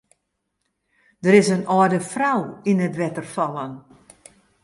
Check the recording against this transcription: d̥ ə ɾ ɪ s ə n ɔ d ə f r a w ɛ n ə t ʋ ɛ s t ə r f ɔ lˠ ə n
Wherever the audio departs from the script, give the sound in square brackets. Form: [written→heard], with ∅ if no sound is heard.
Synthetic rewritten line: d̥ ə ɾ ɪ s ə n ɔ d ə f r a w [ɛ→i] n ə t ʋ ɛ [s→∅] t ə r f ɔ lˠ ə n